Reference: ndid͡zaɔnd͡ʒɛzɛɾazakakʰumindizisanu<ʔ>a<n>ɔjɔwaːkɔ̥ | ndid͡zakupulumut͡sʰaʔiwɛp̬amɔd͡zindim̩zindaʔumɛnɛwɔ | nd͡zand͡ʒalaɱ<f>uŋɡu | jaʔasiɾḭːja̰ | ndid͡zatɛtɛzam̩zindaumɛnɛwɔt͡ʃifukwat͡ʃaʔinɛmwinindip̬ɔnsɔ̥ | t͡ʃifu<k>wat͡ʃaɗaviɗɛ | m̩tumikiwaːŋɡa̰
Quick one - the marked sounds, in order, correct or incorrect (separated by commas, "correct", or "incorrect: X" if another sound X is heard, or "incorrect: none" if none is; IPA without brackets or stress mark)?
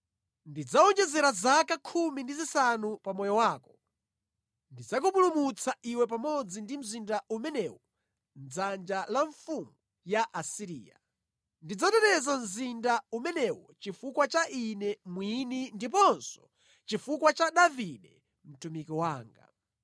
incorrect: p, incorrect: m, correct, correct